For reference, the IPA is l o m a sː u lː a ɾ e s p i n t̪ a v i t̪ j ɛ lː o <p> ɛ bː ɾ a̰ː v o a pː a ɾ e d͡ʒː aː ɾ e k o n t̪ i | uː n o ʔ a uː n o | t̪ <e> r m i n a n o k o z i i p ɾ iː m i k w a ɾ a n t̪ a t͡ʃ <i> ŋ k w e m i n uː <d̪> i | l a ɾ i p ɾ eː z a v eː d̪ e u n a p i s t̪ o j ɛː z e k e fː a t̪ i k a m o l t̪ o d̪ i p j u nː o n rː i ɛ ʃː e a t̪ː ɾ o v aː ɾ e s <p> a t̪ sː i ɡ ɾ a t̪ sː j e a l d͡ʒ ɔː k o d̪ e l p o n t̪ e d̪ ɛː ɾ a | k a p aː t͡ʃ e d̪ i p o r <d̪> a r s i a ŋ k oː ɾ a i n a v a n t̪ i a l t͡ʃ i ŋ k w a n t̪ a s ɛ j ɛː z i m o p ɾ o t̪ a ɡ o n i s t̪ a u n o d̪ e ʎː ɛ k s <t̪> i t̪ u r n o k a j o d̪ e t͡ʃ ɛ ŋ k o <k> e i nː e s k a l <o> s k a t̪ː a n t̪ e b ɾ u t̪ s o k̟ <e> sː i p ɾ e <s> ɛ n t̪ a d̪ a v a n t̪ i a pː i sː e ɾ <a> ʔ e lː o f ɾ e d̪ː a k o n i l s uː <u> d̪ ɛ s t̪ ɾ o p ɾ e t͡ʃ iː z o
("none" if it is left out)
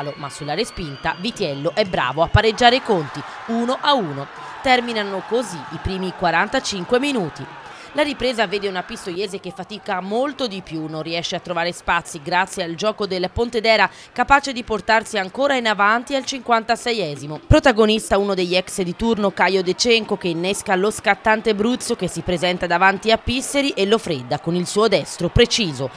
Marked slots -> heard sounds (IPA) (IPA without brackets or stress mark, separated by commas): ʔ, ɛ, i, t̪, p, t̪, d̪, k, o, e, z, i, o